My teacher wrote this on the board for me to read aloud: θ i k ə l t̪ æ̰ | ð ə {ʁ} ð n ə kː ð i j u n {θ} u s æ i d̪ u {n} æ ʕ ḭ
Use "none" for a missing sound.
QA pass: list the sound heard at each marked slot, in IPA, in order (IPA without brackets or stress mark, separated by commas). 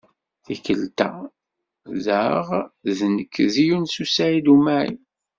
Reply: ʁ, s, m